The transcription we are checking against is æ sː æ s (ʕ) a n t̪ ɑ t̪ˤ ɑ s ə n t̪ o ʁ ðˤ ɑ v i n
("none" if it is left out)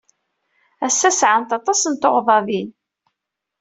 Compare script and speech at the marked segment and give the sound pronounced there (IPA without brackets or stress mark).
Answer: ʕ